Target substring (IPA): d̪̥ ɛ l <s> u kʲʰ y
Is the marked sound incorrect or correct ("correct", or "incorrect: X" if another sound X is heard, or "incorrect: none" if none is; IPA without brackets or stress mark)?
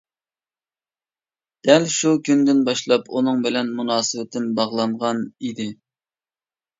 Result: incorrect: ʃ